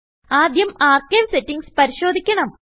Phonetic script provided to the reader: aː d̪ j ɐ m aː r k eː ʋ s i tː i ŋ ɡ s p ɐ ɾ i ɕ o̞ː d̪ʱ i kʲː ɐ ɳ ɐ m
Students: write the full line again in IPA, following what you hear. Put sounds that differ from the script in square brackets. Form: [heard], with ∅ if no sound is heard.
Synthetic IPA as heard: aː d̪ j ɐ m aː r k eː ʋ s [e] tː i ŋ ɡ s p ɐ ɾ i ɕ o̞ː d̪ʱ i kʲː ɐ ɳ ɐ m